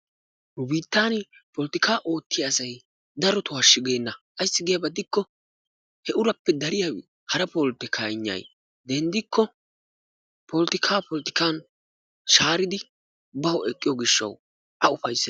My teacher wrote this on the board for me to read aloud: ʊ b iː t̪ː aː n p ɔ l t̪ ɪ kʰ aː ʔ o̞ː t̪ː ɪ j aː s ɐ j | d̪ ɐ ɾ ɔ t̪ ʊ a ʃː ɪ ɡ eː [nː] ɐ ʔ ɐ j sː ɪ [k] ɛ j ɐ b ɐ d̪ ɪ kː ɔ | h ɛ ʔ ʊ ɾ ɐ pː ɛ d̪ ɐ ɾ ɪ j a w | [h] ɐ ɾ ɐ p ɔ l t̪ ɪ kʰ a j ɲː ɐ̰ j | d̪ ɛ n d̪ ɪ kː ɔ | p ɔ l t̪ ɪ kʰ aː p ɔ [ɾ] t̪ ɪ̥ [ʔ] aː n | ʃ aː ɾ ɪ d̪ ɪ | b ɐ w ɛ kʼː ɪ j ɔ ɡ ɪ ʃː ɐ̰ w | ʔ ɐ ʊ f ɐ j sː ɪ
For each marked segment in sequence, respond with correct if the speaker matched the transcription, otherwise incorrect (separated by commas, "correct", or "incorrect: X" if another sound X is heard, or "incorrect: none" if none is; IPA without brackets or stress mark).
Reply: correct, incorrect: ɡ, correct, incorrect: l, incorrect: k